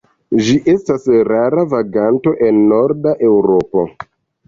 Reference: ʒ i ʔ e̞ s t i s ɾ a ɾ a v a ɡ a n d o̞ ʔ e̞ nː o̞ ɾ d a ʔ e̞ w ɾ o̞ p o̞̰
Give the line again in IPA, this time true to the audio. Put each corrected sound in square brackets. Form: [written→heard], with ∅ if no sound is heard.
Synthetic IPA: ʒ i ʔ e̞ s t [i→a] s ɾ a ɾ a v a ɡ a n [d→t] o̞ ʔ e̞ nː o̞ ɾ d a ʔ e̞ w ɾ o̞ p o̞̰